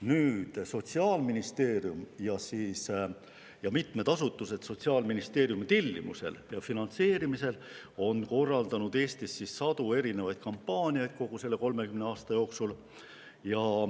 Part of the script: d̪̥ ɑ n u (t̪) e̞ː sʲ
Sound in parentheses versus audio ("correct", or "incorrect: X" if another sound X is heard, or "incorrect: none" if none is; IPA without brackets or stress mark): incorrect: d̪